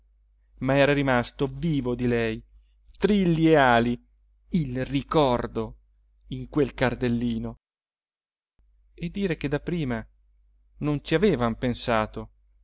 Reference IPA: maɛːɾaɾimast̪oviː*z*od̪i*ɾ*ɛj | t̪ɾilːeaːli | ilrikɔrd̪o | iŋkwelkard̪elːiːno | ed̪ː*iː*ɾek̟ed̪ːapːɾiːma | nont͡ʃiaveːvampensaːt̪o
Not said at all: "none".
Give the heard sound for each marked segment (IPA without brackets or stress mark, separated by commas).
v, l, iː